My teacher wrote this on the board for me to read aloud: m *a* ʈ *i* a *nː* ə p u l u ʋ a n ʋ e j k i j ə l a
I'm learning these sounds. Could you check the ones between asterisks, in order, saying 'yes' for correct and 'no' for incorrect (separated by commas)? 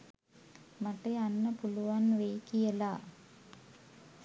yes, no, yes